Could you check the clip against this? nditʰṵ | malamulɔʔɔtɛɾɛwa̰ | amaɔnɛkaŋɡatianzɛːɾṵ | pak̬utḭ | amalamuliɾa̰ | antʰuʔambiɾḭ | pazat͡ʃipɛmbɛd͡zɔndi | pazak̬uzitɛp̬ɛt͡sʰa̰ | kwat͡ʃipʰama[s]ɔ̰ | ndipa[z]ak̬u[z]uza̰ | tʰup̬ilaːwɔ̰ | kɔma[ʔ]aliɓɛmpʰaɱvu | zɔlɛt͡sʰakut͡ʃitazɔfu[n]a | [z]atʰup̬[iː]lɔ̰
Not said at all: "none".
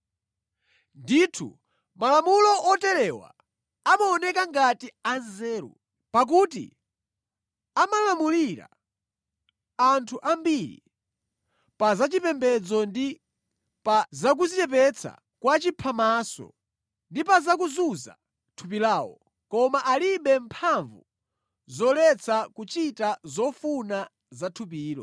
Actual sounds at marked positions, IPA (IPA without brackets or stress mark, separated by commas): s, z, z, ʔ, n, z, iː